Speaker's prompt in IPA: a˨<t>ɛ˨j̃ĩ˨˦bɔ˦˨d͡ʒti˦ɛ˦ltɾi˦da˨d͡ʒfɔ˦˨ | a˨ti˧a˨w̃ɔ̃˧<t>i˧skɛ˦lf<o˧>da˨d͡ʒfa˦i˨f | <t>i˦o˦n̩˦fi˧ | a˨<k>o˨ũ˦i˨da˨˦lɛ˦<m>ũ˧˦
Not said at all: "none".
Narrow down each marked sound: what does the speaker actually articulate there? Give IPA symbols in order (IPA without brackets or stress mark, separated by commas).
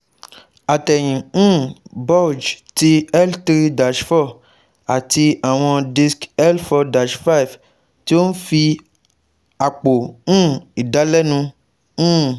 t, d, ɔ˧, t, k͡p, n